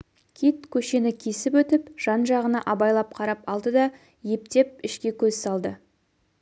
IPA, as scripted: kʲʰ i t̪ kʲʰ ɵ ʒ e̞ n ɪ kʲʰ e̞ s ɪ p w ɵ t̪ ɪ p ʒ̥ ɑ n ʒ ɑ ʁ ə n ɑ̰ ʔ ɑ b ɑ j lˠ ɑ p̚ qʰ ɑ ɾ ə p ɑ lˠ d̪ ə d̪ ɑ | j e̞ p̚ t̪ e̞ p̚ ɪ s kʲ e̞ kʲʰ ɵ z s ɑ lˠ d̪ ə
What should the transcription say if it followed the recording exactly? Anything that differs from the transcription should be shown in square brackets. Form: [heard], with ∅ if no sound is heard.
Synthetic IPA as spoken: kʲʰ i t̪ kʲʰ ɵ [ʃ] e̞ n ɪ kʲʰ e̞ s ɪ p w ɵ t̪ ɪ p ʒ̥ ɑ n ʒ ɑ ʁ ə n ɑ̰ ʔ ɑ b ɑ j lˠ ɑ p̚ qʰ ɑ ɾ [ɑ] p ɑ lˠ d̪ ə d̪ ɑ | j e̞ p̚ t̪ e̞ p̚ ɪ [ʃ] kʲ e̞ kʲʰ ɵ z s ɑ lˠ d̪ ə

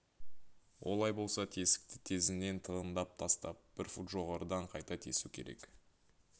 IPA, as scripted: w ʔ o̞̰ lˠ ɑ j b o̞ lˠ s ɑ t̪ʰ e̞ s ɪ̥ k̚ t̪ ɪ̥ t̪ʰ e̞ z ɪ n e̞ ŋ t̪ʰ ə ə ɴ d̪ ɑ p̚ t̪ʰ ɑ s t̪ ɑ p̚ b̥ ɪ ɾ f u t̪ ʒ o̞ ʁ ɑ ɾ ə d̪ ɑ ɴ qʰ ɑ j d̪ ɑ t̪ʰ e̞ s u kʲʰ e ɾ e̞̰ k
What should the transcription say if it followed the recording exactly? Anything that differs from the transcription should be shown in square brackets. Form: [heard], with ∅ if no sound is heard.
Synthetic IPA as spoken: w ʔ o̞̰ lˠ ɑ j b o̞ lˠ s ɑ t̪ʰ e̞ s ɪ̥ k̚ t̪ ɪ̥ t̪ʰ e̞ z ɪ n e̞ [n] t̪ʰ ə ə [n] d̪ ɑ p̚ t̪ʰ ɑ s t̪ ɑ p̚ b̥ ɪ ɾ f u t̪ ʒ o̞ ʁ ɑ ɾ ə d̪ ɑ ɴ qʰ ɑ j [t̪] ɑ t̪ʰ e̞ s u kʲʰ e ɾ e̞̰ k

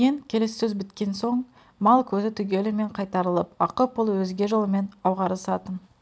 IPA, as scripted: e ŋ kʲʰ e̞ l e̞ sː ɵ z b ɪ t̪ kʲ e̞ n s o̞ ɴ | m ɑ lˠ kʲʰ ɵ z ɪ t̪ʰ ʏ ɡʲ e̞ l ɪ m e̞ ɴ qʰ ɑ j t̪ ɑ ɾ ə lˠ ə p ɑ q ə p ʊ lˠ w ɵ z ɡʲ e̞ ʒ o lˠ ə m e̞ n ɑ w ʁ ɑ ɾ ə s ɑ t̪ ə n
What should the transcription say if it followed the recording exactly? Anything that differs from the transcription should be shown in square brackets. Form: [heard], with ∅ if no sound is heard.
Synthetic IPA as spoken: e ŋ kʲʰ e̞ l e̞ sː ɵ z b ɪ t̪ kʲ e̞ n s o̞ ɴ | m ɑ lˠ kʲʰ ɵ z ɪ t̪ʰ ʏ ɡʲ e̞ l ɪ m e̞ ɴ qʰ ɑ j t̪ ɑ ɾ ə lˠ ə p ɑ q ə p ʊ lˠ w ɵ z ɡʲ e̞ ʒ o lˠ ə m e̞ n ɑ w ʁ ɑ ɾ ə s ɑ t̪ ə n

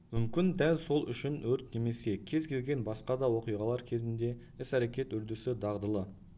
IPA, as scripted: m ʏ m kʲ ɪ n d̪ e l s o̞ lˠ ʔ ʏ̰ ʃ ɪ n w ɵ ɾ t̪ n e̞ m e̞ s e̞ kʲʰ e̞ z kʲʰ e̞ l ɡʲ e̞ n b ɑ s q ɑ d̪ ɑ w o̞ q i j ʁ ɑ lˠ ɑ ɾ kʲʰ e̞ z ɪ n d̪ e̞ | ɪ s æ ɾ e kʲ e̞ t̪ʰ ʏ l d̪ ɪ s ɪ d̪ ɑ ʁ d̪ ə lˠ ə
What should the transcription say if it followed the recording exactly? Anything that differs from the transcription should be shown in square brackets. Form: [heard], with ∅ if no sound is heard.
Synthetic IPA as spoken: m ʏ m kʲ ɪ n d̪ [æ] l s o̞ lˠ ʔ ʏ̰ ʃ ɪ n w ɵ ɾ t̪ n e̞ m e̞ s e̞ kʲʰ e̞ z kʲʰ e̞ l ɡʲ e̞ n b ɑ s q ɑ d̪ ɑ w o̞ q i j ʁ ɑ lˠ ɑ ɾ kʲʰ e̞ z ɪ n d̪ e̞ | ɪ s æ ɾ e kʲ e̞ [t̪] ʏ [ɾ] d̪ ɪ s ɪ d̪ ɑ ʁ d̪ ə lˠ ə

